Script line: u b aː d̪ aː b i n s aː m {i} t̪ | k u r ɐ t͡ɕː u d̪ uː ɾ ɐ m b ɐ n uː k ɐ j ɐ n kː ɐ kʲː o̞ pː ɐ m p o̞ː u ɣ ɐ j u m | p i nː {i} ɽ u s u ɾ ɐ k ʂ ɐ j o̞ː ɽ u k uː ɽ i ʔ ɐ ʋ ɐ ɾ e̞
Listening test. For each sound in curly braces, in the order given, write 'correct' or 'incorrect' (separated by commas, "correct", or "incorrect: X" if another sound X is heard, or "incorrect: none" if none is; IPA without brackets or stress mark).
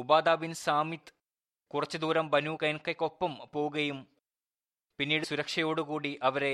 correct, incorrect: iː